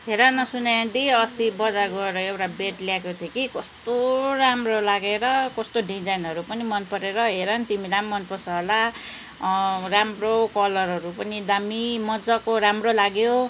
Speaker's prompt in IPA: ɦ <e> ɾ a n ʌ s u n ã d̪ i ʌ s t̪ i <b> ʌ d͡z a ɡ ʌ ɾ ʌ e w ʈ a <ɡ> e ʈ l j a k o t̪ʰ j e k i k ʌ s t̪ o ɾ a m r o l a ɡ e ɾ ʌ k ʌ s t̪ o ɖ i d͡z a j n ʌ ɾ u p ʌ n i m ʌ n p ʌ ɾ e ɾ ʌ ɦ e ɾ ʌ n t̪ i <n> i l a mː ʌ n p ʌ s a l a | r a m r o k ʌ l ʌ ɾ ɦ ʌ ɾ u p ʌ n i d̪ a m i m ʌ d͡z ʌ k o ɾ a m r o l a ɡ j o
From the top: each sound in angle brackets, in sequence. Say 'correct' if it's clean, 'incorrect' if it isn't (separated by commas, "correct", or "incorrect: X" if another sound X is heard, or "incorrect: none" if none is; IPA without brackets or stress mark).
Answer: correct, correct, incorrect: b, incorrect: m